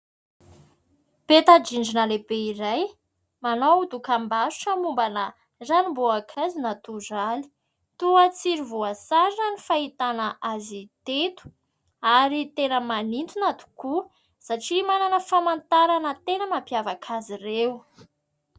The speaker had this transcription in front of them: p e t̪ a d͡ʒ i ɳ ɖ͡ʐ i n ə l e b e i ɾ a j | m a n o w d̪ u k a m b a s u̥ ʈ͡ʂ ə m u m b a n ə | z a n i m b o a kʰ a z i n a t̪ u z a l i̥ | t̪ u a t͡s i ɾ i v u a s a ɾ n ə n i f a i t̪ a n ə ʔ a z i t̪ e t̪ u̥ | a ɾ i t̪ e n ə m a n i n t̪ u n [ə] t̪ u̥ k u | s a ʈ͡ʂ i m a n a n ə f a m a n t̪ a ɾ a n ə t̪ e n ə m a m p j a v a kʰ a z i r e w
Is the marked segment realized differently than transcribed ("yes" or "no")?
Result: yes